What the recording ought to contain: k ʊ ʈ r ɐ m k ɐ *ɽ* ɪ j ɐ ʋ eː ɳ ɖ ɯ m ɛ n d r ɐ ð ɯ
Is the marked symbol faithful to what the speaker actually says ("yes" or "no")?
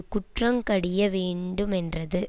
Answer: yes